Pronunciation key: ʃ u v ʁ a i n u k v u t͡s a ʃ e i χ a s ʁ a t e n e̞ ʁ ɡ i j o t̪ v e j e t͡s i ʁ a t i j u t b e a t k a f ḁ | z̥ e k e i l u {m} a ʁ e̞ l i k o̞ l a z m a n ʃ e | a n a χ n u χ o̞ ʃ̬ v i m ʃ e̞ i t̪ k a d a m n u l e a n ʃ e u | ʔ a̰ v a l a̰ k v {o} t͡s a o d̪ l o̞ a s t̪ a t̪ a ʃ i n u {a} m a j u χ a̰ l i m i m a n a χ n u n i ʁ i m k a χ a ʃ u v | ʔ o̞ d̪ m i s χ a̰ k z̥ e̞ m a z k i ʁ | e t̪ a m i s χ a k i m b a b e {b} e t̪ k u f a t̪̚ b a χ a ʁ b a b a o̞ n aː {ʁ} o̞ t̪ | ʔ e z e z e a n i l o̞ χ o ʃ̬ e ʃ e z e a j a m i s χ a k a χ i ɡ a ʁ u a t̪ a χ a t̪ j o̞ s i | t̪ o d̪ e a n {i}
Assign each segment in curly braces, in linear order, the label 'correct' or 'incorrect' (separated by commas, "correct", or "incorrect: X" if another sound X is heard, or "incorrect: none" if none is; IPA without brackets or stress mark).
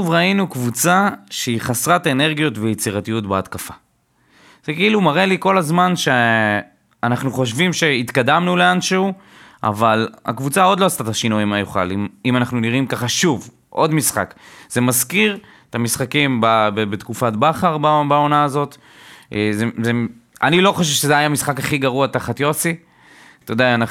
correct, incorrect: u, incorrect: i, correct, incorrect: z, incorrect: a